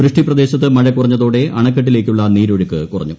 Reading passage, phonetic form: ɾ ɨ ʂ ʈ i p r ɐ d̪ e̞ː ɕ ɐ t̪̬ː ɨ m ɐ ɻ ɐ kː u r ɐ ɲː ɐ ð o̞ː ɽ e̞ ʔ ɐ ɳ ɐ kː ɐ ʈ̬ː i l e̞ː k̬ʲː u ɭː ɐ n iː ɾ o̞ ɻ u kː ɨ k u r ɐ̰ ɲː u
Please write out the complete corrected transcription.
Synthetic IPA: ɾ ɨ ʂ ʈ i p r ɐ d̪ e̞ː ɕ ɐ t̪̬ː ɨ m ɐ ɻ ɐ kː u r ɐ ɲː ɐ ð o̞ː ɽ e̞ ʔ ɐ ɳ ɐ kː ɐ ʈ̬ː i l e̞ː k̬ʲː u ɭː ɐ n iː ɾ o̞ ɻ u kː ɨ k u r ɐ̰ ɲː u